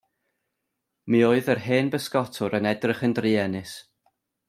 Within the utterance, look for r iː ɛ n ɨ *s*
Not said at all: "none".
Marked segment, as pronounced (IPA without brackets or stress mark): s